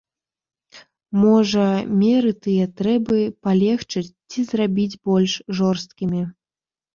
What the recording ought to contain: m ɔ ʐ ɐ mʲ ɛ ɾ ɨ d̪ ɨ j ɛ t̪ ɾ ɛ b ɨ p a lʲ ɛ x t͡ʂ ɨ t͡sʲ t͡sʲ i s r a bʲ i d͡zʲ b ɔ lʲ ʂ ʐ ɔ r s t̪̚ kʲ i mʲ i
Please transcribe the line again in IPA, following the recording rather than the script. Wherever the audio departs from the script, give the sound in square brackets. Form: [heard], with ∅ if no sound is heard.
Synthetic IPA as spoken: m ɔ ʐ ɐ mʲ ɛ ɾ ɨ [t̪] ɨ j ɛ t̪ ɾ ɛ b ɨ p a lʲ ɛ x t͡ʂ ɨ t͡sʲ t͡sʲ i [z] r a bʲ i d͡zʲ b ɔ lʲ ʂ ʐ ɔ r s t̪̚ kʲ i mʲ i